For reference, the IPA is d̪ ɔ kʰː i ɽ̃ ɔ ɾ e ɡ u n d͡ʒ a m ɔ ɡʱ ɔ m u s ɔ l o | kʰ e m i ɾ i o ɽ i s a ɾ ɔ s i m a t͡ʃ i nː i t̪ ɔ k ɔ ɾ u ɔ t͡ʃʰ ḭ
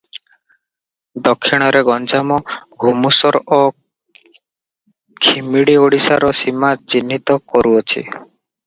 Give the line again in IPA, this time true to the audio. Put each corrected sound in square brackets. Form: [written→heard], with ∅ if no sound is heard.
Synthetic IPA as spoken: d̪ ɔ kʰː i ɽ̃ ɔ ɾ e ɡ [u→ɔ] n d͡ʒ a m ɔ ɡʱ [ɔ→u] m u s ɔ [l→ɾ] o | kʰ [e→i] m i [ɾ→ɽ] i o ɽ i s a ɾ ɔ s i m a t͡ʃ i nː i t̪ ɔ k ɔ ɾ u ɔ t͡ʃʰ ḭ